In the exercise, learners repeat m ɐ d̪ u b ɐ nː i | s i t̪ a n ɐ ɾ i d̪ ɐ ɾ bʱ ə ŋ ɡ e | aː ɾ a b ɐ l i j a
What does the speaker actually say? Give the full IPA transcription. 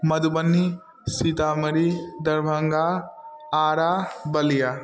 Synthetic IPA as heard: m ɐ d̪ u b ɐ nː i | s i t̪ a m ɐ ɾ i d̪ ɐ ɾ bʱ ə ŋ ɡ a | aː ɾ a b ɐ l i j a